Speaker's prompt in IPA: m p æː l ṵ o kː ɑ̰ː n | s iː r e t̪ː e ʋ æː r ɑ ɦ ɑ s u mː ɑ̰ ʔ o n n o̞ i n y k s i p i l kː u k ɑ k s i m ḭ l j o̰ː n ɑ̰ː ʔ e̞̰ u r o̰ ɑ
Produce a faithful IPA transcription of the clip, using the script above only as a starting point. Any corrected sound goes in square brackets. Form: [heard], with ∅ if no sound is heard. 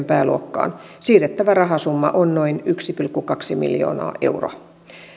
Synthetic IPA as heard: m p æː l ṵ o kː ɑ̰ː n | s iː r e t̪ː [æ] ʋ [æ] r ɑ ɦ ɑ s u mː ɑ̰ ʔ o n n o̞ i n y k s i p i l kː u k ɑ k s i m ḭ l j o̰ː n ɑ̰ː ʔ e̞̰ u r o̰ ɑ